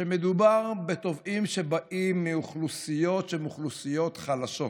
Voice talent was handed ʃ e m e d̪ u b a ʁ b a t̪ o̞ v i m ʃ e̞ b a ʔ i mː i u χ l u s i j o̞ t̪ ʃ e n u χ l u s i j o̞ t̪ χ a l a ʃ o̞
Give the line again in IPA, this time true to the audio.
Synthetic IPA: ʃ e m e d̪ u b a ʁ b e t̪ o̞ v i m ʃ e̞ b a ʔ i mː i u χ l u s i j o̞ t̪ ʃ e m u χ l u s i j o̞ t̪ χ a l a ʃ o̞